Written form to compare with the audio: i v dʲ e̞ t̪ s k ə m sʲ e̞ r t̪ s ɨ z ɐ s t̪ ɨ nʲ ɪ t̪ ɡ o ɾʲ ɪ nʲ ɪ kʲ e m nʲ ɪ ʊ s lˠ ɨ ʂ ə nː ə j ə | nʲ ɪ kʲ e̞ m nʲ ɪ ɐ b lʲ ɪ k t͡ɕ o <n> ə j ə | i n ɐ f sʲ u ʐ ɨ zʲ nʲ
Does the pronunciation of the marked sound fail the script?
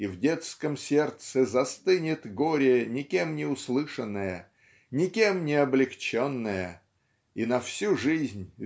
yes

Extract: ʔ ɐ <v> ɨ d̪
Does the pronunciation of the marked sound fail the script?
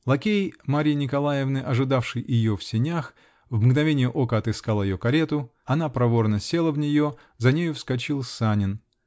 yes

